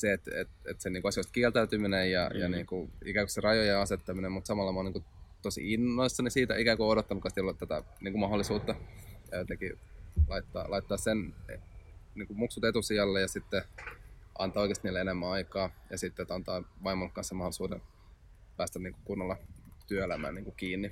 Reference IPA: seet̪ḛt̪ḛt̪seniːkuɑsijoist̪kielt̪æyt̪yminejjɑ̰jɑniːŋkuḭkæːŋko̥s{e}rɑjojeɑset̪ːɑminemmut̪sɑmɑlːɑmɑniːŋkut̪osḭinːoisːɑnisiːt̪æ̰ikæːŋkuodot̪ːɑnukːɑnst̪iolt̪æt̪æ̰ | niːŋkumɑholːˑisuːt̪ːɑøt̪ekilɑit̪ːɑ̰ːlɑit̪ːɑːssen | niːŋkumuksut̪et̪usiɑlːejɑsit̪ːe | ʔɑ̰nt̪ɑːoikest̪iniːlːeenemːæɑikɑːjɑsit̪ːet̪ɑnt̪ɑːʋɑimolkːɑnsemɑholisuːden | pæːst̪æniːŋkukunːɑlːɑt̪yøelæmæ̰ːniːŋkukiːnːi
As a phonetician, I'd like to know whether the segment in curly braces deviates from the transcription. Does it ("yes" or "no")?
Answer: no